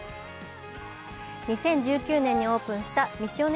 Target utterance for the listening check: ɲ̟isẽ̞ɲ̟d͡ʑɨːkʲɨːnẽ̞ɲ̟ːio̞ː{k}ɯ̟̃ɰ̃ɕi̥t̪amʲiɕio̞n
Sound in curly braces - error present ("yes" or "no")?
yes